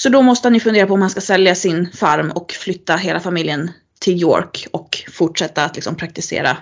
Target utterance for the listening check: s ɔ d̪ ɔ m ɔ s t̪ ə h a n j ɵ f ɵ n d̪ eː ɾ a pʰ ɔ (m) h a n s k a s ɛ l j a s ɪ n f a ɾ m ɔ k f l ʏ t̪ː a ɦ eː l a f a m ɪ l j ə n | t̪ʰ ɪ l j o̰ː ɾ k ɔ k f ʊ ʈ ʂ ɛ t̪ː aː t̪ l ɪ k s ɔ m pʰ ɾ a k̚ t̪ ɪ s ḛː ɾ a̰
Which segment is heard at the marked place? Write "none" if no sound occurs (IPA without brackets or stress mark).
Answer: m